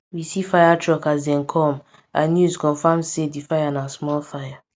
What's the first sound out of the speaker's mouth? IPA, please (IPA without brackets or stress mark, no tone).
w